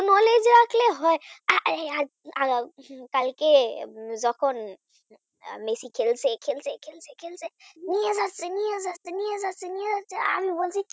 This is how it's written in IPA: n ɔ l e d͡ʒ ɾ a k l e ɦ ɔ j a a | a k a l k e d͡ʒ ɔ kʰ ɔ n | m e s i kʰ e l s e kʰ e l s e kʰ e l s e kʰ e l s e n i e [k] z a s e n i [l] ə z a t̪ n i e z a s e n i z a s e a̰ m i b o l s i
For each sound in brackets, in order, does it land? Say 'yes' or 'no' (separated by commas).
no, no